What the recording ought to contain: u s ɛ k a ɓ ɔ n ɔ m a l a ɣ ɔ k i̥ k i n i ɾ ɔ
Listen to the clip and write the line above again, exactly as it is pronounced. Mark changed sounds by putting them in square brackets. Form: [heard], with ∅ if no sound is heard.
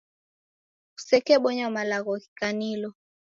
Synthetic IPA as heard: u s ɛ k [ɛ] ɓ ɔ [ɲ] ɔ m a l a ɣ ɔ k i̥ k [a] n i [l] ɔ